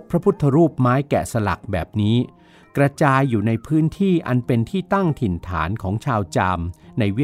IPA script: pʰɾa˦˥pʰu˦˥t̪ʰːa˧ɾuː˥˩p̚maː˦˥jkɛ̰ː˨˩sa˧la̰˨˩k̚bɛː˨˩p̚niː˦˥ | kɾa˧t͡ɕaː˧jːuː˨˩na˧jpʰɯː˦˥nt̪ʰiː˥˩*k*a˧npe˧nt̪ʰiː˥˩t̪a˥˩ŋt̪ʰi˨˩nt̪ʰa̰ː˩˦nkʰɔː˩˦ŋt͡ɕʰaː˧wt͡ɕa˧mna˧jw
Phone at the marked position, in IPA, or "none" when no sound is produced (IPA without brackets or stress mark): ʔ